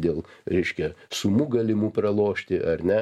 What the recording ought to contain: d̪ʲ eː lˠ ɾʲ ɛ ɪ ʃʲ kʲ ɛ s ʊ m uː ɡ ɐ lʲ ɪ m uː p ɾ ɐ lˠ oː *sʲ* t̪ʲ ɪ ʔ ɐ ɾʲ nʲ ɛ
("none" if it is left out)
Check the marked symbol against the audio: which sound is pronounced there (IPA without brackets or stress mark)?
ʃʲ